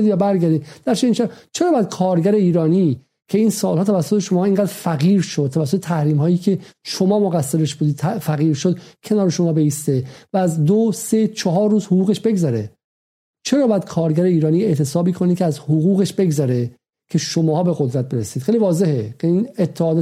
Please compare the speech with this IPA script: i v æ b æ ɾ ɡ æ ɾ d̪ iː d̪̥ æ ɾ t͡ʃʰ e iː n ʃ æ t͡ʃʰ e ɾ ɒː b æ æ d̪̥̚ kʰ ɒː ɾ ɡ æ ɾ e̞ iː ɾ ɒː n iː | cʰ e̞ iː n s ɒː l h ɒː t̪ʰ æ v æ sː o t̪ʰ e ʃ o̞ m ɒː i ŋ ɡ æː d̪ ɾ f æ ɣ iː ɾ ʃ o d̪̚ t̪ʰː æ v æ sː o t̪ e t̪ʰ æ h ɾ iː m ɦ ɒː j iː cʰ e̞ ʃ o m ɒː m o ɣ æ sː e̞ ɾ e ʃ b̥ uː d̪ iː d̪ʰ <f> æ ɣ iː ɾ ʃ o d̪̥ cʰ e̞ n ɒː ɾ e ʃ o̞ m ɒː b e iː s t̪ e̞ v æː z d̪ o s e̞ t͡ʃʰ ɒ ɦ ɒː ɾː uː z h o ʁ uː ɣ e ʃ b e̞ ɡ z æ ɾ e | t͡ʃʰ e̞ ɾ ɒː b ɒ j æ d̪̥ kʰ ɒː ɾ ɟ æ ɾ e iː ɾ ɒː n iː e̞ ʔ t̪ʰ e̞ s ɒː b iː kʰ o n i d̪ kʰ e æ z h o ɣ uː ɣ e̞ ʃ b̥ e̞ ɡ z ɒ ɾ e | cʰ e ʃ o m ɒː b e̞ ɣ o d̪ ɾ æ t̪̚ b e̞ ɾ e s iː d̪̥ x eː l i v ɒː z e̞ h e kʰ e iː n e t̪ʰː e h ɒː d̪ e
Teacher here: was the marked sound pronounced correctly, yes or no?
yes